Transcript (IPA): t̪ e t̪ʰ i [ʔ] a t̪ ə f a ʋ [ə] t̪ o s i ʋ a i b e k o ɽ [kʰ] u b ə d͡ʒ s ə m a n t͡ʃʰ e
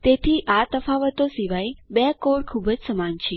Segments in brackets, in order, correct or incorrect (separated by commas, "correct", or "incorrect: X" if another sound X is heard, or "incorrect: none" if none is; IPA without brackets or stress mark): correct, correct, correct